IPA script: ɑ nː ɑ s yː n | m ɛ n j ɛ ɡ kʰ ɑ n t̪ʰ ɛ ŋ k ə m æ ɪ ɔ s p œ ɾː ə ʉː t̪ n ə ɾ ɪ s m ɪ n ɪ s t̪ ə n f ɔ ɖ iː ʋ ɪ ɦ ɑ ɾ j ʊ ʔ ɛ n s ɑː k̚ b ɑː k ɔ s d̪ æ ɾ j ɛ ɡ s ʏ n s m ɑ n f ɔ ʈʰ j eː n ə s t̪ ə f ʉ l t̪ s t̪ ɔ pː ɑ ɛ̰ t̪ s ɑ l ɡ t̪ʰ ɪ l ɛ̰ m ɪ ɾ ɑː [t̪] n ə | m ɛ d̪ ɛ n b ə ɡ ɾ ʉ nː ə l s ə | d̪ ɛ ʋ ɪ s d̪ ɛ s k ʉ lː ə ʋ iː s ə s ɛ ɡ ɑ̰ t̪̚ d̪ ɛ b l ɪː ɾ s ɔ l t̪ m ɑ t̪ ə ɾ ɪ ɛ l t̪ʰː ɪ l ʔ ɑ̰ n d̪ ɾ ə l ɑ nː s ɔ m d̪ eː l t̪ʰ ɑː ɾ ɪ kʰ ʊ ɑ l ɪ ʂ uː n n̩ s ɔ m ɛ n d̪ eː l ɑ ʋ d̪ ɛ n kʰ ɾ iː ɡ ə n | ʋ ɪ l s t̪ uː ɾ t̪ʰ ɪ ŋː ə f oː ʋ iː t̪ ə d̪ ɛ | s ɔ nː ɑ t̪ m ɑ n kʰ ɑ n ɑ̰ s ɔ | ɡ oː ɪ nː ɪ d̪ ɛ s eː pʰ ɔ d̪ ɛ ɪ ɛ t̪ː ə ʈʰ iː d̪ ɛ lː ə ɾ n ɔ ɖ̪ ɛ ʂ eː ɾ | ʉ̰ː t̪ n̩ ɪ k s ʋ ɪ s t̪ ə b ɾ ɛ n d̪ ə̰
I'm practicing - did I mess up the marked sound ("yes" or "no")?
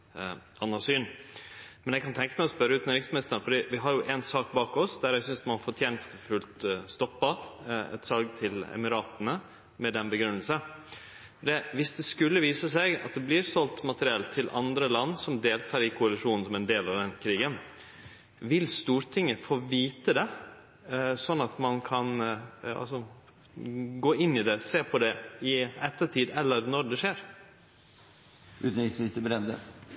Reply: no